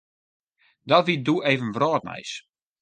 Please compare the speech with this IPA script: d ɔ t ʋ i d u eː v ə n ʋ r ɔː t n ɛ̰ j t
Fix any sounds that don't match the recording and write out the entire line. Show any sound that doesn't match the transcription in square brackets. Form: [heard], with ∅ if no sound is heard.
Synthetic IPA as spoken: d ɔ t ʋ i d u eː v ə n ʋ r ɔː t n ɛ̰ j [s]